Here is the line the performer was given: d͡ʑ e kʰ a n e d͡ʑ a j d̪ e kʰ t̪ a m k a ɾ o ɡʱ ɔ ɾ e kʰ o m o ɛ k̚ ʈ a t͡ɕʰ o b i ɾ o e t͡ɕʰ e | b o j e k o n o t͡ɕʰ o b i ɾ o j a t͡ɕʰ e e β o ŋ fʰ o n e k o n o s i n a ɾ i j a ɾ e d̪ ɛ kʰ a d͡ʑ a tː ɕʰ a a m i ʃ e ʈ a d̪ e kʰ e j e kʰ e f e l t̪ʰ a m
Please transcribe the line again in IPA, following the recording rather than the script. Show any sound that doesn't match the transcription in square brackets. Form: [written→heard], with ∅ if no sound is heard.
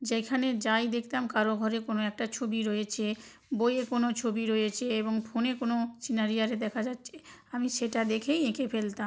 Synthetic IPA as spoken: d͡ʑ e kʰ a n e d͡ʑ a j d̪ e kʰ t̪ a m k a ɾ o ɡʱ ɔ ɾ e [kʰ→k] o [m→n] o ɛ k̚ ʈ a t͡ɕʰ o b i ɾ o e t͡ɕʰ e | b o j e k o n o t͡ɕʰ o b i ɾ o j [a→e] t͡ɕʰ e e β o ŋ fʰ o n e k o n o s i n a ɾ i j a ɾ e d̪ ɛ kʰ a d͡ʑ a tː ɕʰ [a→e] a m i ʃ e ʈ a d̪ e kʰ e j e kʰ e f e l [t̪ʰ→t̪] a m